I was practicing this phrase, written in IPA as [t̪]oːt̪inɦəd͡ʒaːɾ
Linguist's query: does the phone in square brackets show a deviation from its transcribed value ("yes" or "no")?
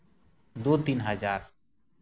yes